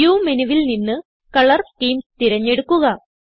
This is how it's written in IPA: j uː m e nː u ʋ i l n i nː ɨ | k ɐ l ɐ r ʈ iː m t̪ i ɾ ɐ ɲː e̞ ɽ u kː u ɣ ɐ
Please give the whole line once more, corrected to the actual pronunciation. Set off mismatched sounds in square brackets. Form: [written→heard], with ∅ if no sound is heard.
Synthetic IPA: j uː m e [nː→n] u ʋ i l n i nː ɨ | k ɐ [l→ɭ] ɐ r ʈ iː m t̪ i ɾ ɐ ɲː e̞ ɽ u kː u ɣ ɐ

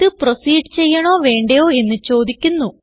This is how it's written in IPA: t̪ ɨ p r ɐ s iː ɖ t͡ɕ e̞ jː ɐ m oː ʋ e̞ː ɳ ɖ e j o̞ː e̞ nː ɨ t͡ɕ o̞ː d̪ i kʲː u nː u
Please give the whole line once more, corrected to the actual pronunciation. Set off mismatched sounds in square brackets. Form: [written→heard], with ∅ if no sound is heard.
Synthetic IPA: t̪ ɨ p r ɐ s iː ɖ t͡ɕ e̞ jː ɐ [m→ɳ] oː ʋ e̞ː ɳ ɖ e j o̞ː e̞ nː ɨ t͡ɕ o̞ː d̪ i kʲː u nː u

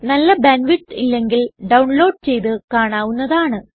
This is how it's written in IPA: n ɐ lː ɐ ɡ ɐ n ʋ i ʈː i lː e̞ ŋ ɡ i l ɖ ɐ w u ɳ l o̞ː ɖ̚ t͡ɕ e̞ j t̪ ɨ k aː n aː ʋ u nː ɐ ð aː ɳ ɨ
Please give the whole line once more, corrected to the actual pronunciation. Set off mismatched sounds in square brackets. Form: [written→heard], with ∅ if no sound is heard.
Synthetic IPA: n ɐ lː ɐ [ɡ→b] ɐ n ʋ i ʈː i lː e̞ ŋ ɡ i l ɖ ɐ w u ɳ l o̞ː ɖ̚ t͡ɕ e̞ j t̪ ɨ k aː [n→ɳ] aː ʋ u nː ɐ ð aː ɳ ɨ

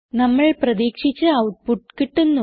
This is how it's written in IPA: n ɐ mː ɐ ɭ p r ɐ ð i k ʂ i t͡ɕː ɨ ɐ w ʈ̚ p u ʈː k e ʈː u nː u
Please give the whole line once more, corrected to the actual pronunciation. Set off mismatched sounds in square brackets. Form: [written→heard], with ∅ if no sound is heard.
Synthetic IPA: n ɐ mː ɐ ɭ p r ɐ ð [i→iː] k ʂ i t͡ɕː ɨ ɐ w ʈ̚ p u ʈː k [e→i] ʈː u nː u

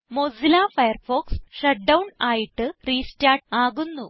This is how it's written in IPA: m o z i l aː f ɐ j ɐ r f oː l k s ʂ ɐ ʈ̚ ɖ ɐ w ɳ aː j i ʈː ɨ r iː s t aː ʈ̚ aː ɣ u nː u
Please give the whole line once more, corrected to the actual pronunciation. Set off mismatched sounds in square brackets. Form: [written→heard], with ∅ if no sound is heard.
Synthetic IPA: m o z i l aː f ɐ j ɐ r f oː [l→∅] k s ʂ ɐ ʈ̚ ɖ ɐ w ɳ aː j i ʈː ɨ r iː s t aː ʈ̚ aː ɣ u nː u

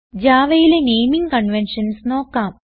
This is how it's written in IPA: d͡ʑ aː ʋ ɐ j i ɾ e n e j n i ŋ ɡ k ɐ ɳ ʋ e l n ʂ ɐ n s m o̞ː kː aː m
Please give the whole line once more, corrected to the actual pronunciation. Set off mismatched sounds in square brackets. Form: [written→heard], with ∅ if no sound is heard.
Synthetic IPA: d͡ʑ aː ʋ ɐ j i [ɾ→l] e n e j [n→m] i ŋ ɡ k ɐ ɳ ʋ e [l→∅] n ʂ ɐ n s [m→n] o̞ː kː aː m

